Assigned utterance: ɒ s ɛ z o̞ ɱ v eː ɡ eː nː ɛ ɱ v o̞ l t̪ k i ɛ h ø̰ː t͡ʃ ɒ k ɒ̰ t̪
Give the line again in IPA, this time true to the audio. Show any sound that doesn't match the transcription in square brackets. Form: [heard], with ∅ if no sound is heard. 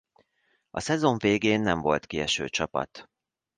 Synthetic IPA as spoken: ɒ s ɛ z o̞ ɱ v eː ɡ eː nː ɛ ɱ v o̞ l t̪ k i ɛ [ʃ] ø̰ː t͡ʃ ɒ [p] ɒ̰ t̪